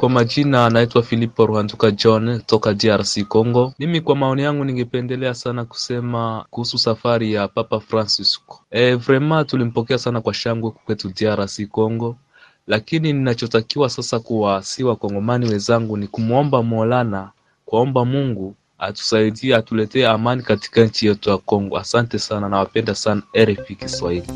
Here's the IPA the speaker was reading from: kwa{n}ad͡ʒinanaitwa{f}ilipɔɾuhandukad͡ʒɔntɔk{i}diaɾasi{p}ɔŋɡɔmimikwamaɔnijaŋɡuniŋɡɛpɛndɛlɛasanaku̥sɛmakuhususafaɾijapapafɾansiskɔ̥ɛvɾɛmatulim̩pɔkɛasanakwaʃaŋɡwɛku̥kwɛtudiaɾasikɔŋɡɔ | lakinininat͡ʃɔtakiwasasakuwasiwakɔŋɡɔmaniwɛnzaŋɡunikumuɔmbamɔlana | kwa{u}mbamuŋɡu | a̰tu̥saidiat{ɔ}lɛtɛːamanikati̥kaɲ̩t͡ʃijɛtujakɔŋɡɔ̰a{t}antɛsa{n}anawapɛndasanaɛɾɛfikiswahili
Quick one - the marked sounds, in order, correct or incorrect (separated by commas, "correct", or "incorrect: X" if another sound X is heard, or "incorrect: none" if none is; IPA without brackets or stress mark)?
incorrect: m, correct, incorrect: a, incorrect: k, incorrect: ɔ, incorrect: u, incorrect: s, correct